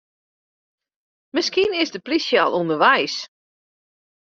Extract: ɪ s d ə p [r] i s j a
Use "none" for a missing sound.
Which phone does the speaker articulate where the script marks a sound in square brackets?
l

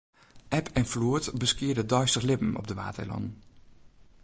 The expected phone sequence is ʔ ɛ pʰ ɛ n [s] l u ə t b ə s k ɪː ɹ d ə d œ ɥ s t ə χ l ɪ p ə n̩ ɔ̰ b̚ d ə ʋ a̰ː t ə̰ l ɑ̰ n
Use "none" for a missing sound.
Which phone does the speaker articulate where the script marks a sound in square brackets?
f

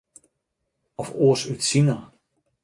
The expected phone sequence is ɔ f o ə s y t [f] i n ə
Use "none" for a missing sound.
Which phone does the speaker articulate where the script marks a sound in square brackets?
s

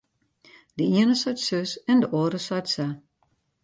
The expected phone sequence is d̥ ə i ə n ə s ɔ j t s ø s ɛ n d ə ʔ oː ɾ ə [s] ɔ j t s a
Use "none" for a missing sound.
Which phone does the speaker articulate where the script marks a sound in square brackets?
s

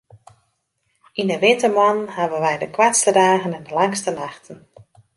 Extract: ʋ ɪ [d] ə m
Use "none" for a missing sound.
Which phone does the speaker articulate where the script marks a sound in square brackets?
t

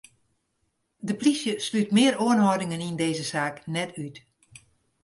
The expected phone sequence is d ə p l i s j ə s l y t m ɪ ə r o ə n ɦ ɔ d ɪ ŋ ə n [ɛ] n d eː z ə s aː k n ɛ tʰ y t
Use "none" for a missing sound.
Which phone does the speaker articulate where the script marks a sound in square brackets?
i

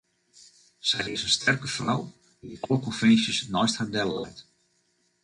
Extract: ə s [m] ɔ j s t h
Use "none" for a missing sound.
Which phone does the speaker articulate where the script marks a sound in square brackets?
n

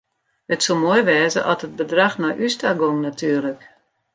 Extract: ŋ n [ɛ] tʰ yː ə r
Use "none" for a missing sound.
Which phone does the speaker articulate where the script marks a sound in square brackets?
a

